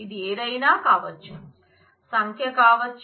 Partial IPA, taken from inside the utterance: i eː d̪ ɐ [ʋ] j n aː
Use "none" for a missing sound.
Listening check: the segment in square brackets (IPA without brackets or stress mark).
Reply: none